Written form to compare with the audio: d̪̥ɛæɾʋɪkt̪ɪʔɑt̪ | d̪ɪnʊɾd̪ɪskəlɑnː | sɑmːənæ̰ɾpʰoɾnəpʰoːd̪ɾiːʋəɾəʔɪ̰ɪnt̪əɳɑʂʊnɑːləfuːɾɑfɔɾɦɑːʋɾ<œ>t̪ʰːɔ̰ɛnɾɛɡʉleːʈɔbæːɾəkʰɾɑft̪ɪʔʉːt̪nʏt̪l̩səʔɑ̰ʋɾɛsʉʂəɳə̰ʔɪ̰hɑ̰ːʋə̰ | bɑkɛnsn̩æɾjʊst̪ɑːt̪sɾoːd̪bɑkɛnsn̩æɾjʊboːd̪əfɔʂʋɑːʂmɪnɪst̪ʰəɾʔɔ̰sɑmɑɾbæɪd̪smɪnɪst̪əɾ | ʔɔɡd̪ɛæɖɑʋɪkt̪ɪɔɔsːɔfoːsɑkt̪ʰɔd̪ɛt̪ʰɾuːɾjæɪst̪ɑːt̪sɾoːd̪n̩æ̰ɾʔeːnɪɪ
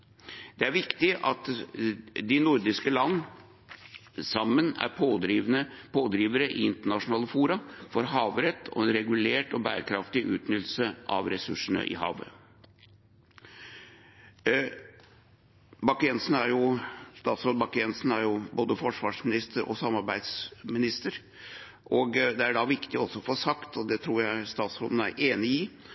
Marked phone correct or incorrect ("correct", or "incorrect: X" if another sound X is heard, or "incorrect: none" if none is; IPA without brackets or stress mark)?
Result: incorrect: ɛ